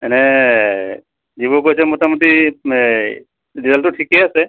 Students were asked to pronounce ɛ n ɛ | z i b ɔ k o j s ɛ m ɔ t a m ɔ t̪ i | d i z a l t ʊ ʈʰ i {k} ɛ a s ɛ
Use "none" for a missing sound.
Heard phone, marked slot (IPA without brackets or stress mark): k